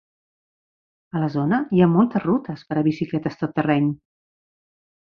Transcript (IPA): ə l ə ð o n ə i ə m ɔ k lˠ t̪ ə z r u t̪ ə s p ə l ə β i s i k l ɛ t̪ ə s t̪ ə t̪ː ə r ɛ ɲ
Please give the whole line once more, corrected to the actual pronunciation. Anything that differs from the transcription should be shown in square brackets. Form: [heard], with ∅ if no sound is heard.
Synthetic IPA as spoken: ə l ə [z] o n ə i [a] m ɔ [∅] lˠ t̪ ə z r u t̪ ə s p ə [ɾ] ə β i s i k l ɛ t̪ ə s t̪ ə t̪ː ə r ɛ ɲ